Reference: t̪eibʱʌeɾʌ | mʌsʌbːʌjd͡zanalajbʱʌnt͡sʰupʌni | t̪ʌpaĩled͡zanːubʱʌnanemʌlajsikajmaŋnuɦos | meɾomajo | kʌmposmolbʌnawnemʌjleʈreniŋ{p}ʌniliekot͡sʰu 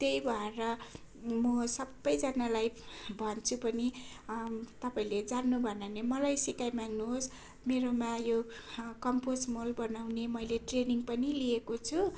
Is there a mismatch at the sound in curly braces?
no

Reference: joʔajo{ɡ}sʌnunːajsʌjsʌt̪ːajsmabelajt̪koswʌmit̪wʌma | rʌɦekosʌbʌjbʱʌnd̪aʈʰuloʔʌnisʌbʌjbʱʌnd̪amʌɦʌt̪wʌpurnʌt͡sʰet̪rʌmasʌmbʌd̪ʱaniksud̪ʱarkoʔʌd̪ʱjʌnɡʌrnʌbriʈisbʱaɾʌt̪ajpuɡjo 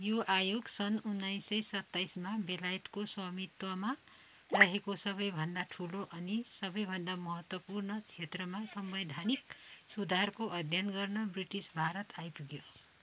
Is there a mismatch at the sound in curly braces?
no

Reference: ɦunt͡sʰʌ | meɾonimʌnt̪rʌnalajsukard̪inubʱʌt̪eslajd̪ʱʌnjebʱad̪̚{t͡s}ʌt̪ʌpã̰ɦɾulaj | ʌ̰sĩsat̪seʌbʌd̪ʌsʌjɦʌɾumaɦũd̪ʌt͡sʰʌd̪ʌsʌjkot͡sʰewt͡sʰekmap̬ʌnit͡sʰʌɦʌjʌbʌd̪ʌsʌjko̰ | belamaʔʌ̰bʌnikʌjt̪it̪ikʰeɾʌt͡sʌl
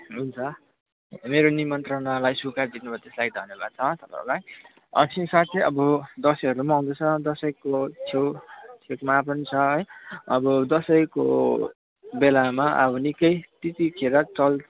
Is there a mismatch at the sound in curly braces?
yes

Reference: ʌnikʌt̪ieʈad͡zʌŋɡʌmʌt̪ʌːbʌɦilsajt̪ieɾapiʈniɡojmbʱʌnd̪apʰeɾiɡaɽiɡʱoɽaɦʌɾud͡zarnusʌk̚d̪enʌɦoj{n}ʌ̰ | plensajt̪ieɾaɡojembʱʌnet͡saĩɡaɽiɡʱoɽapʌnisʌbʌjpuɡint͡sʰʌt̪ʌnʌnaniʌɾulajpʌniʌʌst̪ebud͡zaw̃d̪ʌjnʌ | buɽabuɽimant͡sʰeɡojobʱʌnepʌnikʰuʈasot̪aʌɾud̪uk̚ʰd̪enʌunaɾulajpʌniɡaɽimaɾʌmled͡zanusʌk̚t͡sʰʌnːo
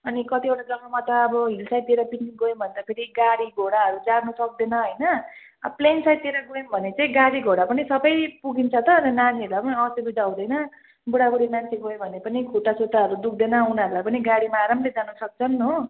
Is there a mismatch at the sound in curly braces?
no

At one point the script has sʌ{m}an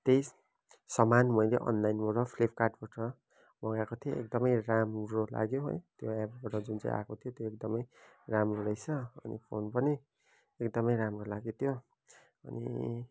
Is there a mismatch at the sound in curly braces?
no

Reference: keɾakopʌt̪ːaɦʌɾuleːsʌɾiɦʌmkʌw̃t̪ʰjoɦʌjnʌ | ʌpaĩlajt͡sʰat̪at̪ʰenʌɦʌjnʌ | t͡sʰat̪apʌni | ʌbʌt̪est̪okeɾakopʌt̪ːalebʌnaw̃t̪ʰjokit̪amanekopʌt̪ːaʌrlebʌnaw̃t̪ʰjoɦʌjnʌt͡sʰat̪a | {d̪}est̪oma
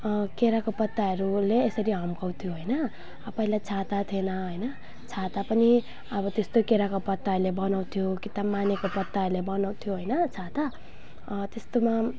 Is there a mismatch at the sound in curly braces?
yes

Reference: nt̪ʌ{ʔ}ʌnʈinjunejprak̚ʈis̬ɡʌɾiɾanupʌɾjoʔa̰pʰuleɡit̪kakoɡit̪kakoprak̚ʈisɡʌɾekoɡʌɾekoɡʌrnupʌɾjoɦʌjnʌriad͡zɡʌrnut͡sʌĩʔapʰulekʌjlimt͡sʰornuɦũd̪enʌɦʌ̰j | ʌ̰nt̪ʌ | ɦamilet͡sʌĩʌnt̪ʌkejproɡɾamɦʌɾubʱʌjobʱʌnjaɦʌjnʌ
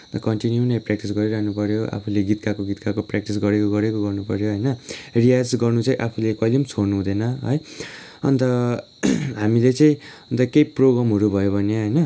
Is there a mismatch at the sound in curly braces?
yes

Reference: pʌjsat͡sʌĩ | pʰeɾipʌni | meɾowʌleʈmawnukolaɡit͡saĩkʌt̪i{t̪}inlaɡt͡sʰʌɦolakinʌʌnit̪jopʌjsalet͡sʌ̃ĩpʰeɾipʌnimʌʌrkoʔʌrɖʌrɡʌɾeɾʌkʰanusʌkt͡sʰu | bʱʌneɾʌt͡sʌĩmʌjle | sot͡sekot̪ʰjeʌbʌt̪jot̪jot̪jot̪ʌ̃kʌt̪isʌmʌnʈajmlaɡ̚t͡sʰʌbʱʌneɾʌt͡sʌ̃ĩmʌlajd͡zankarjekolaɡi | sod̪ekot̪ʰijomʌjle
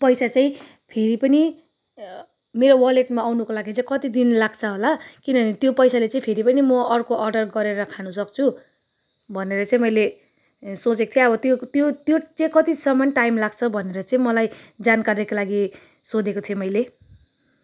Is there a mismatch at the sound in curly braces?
yes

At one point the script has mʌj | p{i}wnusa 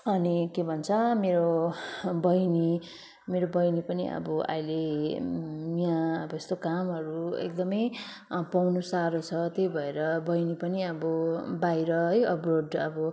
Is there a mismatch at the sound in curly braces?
yes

